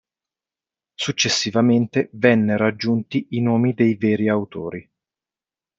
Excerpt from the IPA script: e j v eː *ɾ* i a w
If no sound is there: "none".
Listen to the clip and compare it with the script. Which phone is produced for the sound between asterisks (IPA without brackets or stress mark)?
ɾ